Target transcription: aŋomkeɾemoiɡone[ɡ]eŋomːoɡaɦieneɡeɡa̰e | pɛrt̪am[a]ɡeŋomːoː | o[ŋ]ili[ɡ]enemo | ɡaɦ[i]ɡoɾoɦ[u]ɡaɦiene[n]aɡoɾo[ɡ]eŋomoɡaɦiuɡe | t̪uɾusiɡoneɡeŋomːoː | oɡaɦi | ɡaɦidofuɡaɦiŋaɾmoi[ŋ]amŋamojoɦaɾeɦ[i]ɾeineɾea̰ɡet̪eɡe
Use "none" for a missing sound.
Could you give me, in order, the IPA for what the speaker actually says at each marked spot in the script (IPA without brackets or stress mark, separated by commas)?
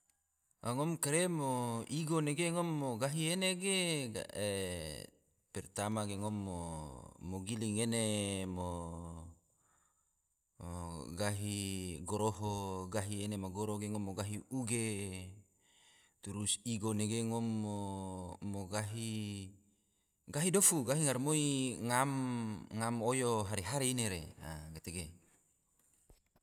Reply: ɡ, a, ɡ, ŋ, i, o, m, ɡ, ŋ, a